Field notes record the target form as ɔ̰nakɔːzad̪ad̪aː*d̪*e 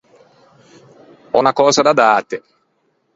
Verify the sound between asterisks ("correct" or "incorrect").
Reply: incorrect